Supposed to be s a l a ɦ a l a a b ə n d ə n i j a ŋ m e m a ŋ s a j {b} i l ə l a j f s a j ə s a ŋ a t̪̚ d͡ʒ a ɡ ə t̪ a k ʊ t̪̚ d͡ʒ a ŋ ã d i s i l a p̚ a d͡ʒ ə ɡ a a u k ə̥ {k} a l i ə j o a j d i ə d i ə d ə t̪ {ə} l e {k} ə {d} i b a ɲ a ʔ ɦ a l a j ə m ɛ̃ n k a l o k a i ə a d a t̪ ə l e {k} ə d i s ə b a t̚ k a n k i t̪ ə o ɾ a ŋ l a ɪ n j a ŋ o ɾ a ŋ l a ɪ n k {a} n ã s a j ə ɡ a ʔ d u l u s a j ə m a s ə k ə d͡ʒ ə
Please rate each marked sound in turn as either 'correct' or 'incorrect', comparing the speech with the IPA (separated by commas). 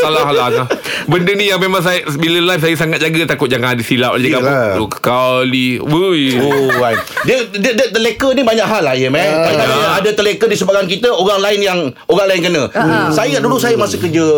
correct, correct, correct, correct, incorrect, correct, incorrect